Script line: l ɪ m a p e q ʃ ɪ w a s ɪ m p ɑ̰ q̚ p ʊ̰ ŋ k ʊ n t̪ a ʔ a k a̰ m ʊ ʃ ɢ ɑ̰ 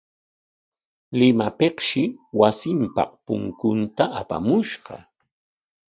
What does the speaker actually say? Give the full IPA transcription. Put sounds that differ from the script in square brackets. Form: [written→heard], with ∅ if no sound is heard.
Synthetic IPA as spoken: l ɪ m a p e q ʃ ɪ w a s ɪ m p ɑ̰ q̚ p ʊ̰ ŋ k ʊ n t̪ a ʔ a [k→p] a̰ m ʊ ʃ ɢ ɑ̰